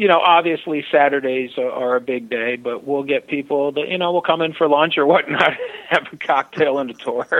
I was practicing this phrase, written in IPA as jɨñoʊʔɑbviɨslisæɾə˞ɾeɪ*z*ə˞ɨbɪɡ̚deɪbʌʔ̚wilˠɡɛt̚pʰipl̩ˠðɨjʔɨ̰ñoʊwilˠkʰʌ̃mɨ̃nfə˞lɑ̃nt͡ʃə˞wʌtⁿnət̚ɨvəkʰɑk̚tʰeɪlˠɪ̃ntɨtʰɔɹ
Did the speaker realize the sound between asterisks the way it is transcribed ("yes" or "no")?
yes